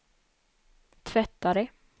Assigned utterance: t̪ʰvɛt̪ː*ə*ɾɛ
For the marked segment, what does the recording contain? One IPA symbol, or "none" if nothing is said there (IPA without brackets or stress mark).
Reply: a